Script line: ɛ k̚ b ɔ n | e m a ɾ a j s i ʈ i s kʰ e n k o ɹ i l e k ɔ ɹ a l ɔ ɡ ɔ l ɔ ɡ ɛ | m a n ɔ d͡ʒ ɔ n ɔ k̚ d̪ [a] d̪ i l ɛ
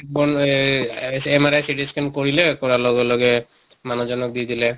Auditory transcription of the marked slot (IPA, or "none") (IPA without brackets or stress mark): i